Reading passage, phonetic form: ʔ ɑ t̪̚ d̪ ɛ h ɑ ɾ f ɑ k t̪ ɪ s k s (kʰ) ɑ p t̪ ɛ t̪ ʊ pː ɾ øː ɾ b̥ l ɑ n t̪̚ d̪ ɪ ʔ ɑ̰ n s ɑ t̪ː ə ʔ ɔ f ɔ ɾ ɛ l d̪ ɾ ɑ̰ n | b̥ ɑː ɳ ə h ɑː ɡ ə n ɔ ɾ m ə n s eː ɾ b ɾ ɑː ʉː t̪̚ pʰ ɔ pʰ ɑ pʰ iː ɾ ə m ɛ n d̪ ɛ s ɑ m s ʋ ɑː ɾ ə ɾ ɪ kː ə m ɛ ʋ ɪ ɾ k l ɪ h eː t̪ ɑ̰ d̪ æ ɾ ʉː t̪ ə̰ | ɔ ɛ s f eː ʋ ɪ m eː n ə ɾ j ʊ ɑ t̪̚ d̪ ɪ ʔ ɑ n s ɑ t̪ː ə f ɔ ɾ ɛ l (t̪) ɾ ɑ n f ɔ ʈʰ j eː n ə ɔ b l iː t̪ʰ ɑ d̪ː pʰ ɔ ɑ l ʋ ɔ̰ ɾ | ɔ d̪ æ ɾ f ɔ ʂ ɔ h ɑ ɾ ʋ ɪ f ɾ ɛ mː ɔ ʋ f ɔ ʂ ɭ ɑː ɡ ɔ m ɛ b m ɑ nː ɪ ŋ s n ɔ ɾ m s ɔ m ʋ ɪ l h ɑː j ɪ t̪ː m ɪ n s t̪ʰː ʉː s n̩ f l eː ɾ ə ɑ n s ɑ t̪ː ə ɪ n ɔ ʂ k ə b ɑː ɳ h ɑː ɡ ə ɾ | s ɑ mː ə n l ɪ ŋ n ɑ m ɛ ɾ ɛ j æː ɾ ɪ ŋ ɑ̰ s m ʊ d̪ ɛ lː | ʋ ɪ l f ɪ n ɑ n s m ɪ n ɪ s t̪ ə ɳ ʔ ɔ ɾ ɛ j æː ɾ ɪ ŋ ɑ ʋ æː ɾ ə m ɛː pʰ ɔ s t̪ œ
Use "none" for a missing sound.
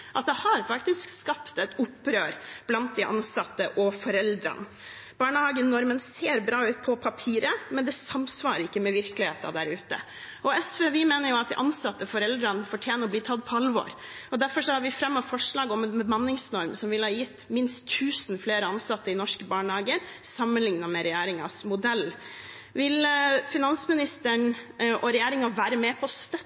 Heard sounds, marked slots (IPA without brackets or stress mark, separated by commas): k, d̪